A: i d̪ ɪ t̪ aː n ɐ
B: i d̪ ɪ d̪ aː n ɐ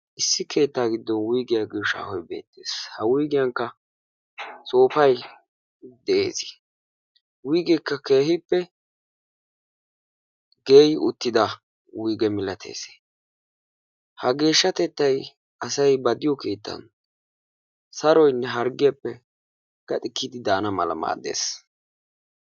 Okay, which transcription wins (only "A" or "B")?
B